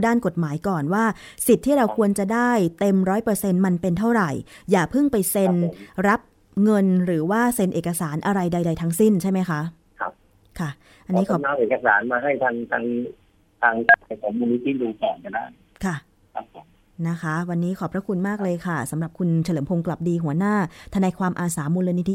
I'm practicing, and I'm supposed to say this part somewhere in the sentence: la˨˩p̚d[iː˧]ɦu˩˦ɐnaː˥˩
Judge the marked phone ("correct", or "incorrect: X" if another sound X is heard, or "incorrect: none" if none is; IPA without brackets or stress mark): correct